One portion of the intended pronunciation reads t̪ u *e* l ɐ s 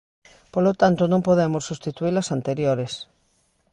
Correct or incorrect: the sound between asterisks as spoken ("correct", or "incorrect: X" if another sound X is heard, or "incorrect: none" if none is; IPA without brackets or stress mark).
incorrect: i